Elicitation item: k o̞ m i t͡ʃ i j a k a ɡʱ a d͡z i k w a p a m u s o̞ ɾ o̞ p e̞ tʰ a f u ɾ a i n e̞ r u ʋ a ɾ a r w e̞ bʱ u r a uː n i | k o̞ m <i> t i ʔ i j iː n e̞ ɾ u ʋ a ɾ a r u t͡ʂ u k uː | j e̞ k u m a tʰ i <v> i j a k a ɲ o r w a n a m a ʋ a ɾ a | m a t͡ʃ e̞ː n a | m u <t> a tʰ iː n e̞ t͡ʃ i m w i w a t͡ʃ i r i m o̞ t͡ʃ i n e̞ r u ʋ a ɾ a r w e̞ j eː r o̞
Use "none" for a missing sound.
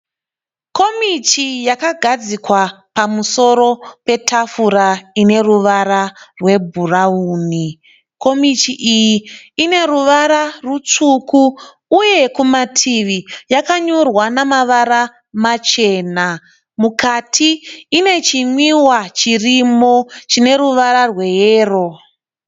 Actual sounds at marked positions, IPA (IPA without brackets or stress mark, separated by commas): i, ʋ, k